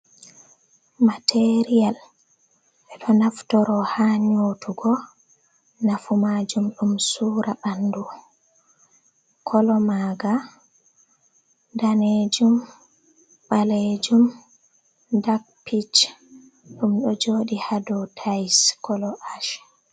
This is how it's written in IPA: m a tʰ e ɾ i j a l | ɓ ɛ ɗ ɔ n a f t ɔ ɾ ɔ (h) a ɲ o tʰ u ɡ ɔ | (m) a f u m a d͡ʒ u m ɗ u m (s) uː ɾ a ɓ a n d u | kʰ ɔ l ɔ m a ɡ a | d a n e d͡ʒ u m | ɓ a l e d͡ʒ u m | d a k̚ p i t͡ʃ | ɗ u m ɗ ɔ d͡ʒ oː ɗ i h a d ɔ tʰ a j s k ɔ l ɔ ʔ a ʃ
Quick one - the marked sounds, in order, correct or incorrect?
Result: correct, incorrect, correct

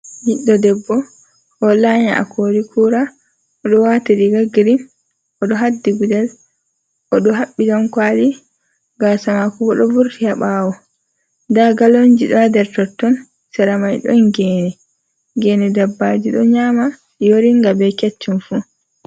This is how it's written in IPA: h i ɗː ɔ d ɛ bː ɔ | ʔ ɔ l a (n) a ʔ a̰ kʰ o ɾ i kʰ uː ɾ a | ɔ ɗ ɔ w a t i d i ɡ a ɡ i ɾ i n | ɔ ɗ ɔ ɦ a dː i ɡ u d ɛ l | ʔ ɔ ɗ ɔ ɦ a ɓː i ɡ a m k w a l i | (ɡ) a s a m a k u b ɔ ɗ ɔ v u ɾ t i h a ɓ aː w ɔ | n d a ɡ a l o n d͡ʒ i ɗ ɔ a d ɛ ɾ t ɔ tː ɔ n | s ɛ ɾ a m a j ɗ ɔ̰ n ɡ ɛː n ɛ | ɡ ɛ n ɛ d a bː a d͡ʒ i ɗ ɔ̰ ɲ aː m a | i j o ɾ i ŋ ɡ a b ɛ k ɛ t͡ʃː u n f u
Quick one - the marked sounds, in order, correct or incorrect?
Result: incorrect, correct

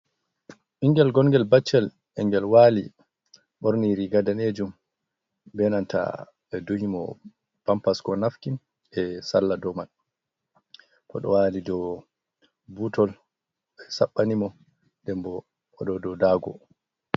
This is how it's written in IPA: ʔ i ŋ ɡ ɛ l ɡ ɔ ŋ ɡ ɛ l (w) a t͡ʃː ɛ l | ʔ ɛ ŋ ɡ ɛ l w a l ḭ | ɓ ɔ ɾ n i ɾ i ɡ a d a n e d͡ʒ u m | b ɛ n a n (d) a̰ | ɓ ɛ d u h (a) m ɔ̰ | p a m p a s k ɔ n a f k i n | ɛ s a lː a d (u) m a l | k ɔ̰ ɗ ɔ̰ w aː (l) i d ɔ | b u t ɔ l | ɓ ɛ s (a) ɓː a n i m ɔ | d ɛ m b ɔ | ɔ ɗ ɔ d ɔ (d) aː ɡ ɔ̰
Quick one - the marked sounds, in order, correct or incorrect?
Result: incorrect, incorrect, incorrect, incorrect, correct, correct, correct

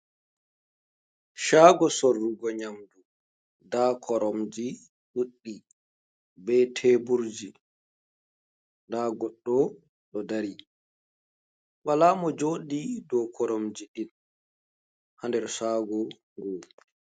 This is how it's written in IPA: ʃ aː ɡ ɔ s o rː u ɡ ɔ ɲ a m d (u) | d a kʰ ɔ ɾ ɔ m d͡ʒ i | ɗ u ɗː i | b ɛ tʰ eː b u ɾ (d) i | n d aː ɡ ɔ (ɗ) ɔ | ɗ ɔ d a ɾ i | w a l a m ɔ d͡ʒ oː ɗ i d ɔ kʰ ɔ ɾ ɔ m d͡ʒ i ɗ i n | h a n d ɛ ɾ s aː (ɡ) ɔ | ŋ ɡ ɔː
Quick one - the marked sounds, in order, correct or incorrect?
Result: correct, incorrect, incorrect, correct

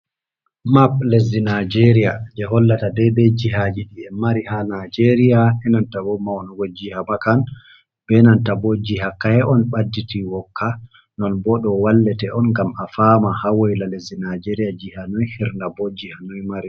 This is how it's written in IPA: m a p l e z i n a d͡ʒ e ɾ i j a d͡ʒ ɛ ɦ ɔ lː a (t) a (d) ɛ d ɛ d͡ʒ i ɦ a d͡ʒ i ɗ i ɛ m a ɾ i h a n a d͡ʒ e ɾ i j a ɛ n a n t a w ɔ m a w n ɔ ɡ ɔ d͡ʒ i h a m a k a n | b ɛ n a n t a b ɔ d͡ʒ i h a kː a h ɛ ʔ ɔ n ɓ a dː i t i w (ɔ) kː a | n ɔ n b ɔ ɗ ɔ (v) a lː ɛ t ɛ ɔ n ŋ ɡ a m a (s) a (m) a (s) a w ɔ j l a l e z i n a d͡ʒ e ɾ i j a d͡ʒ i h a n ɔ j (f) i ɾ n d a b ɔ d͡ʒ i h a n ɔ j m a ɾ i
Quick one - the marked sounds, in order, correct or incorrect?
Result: correct, correct, correct, incorrect, incorrect, correct, incorrect, incorrect

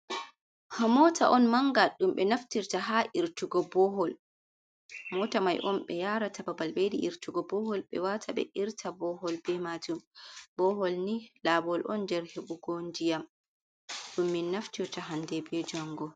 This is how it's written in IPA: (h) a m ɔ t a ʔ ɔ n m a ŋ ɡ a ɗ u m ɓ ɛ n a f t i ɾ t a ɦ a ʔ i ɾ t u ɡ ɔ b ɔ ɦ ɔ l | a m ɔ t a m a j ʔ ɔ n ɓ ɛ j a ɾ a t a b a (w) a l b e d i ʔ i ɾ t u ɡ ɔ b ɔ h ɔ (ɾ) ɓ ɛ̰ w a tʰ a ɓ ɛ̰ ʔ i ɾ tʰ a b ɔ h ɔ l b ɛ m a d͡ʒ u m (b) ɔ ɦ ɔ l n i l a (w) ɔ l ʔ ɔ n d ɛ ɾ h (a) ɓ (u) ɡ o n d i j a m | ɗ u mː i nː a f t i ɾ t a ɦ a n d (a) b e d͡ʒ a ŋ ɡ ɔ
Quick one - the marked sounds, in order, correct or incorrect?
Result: correct, incorrect, incorrect, correct, incorrect, incorrect, correct, incorrect

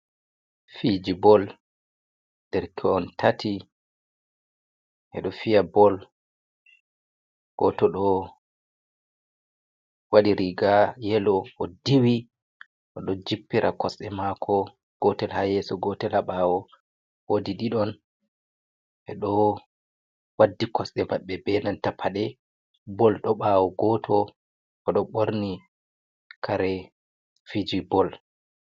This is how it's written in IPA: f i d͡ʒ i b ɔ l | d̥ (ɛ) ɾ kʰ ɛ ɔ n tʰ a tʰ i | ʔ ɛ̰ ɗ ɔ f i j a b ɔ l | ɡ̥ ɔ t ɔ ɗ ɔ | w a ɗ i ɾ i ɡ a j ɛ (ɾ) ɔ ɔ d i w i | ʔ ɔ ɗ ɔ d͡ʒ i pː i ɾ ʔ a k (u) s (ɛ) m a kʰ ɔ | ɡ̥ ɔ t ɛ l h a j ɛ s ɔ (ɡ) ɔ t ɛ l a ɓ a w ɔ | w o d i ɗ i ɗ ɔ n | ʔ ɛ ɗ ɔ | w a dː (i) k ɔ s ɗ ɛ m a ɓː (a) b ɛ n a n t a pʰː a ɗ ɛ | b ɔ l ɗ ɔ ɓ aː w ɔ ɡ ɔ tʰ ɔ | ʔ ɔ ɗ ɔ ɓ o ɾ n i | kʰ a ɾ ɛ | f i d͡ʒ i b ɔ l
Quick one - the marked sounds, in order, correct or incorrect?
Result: correct, incorrect, incorrect, correct, correct, correct, incorrect

